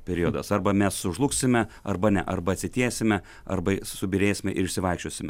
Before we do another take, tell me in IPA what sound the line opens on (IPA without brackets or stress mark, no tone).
pʲ